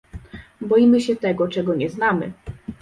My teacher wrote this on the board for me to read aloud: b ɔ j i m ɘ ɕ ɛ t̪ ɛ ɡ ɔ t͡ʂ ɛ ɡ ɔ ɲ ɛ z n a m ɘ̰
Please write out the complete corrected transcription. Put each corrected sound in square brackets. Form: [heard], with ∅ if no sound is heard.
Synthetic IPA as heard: b ɔ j i m ɘ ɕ ɛ t̪ ɛ ɡ ɔ t͡ʂ ɛ ɡ ɔ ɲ ɛ z n a m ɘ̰